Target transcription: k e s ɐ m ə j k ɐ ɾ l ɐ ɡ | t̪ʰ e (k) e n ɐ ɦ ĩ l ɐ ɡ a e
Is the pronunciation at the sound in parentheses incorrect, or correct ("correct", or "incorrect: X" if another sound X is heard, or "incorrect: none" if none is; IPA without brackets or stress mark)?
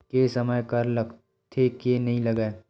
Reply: correct